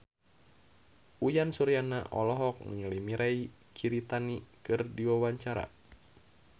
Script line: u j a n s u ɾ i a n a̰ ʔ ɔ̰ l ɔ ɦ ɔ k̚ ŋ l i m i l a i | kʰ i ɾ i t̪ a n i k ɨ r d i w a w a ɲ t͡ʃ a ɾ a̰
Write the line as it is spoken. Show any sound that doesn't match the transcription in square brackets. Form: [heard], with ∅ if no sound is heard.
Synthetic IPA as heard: u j a n s u ɾ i a n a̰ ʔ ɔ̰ l ɔ ɦ ɔ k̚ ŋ l i m i [ɾ] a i | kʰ i ɾ i t̪ a n i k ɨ r d i w a w a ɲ t͡ʃ a ɾ a̰